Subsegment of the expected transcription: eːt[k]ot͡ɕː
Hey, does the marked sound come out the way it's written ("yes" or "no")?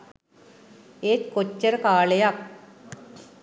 yes